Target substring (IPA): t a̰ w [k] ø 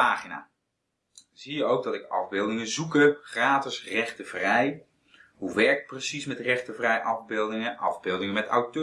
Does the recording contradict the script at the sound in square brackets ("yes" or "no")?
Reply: yes